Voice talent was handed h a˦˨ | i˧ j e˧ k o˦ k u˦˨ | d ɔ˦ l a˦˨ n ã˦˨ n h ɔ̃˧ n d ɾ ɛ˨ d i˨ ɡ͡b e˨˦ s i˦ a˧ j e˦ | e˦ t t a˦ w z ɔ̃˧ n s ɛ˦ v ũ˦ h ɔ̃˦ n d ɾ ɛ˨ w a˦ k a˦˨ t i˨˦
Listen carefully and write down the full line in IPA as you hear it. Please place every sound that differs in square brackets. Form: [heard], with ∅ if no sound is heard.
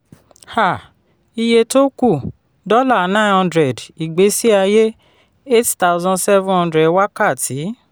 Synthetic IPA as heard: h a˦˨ | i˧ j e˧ [t] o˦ k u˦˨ | d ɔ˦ l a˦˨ n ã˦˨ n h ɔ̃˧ n d ɾ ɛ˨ d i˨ ɡ͡b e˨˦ s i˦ a˧ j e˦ | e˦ t t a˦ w z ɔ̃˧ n s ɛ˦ v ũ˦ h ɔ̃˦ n d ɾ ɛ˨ w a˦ k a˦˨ t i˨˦